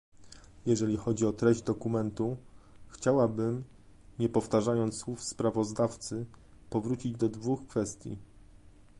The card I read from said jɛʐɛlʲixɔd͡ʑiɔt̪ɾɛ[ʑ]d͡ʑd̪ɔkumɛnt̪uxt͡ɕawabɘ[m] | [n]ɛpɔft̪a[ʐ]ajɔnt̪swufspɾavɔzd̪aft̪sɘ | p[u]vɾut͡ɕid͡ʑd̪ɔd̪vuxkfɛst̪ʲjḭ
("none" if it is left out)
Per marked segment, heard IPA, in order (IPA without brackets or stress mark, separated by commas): ʑ, m, ɲ, ʐ, ɔ